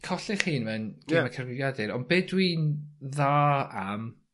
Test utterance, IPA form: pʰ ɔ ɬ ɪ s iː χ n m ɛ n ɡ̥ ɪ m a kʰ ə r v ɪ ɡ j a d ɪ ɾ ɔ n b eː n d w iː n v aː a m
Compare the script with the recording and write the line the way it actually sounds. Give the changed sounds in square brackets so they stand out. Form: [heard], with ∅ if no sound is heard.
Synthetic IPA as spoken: [kʰ] ɔ ɬ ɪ [χ] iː [∅] n m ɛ n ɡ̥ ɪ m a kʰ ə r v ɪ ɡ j a d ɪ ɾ ɔ n b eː [∅] d w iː n [ð] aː a m